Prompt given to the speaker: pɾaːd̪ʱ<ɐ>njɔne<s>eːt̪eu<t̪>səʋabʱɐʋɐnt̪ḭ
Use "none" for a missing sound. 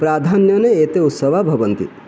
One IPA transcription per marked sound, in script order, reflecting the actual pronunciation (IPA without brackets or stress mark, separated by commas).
a, none, t̪